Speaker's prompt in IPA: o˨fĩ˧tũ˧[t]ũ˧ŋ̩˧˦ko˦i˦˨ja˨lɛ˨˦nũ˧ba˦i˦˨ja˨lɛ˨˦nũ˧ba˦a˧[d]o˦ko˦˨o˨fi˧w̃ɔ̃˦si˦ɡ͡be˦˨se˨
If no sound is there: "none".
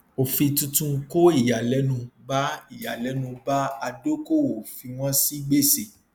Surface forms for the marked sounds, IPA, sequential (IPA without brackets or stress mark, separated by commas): t, d